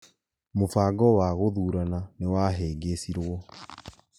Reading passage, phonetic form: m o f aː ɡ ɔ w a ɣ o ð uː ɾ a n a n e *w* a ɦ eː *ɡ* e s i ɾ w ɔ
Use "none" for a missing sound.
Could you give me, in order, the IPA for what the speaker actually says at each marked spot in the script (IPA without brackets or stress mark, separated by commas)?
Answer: w, ɡ